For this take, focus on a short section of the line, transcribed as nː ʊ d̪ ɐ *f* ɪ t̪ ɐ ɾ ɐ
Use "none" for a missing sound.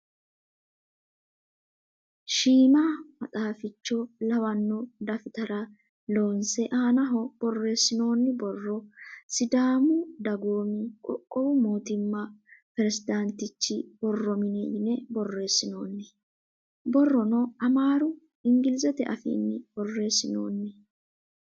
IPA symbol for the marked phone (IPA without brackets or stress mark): f